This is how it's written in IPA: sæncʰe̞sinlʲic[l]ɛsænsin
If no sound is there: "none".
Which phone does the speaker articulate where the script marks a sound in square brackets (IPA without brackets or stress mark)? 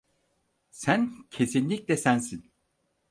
l